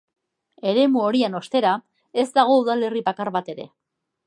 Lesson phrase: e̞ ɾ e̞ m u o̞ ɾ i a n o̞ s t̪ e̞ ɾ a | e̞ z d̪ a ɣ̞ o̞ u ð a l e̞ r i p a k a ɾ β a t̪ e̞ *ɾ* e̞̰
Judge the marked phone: correct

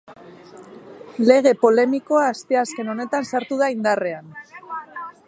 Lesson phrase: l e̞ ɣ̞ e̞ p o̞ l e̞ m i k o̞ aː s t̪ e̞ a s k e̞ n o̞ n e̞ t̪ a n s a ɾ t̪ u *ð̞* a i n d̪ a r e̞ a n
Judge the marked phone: correct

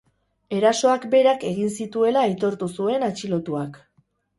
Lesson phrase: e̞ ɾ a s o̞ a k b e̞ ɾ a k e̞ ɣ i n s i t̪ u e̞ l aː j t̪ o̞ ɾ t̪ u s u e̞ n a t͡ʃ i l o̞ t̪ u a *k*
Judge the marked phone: correct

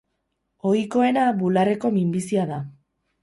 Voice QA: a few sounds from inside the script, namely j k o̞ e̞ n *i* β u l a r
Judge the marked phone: incorrect: a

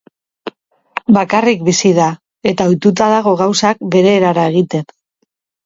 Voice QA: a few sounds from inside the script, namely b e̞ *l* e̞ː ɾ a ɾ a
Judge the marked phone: incorrect: ɾ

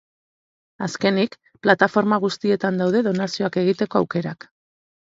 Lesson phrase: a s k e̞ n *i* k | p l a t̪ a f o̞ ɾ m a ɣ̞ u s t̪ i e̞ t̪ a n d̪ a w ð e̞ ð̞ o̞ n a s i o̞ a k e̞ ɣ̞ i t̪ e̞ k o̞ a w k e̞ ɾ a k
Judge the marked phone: correct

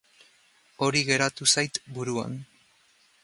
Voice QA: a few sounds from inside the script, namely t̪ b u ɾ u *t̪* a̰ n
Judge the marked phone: incorrect: none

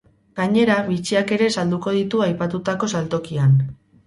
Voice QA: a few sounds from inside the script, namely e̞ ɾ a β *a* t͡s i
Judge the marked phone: incorrect: i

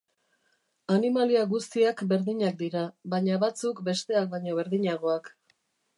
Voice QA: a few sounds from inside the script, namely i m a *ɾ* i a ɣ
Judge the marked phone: incorrect: l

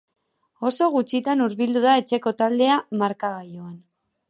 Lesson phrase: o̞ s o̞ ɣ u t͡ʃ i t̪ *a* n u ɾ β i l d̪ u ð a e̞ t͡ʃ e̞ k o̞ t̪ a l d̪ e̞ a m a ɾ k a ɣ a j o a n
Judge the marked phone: correct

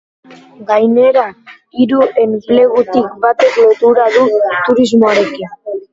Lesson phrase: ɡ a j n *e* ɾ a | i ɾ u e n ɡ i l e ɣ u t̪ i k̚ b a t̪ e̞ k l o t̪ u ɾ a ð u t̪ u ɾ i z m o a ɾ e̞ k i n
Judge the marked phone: correct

